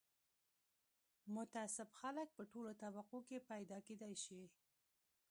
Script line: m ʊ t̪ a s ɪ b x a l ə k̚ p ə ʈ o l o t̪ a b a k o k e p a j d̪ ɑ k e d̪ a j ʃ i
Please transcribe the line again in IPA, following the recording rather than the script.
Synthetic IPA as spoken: m ʊ t̪ a s ɪ b x a l ə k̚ p ə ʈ o l o t̪ a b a q o k e p a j d̪ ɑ k e d̪ a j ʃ i